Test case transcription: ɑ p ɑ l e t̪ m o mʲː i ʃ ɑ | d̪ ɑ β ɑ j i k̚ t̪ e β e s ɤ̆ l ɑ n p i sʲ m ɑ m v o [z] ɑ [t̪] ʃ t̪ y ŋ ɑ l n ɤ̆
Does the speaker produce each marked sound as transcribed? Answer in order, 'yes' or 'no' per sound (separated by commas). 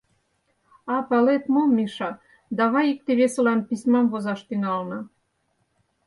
yes, no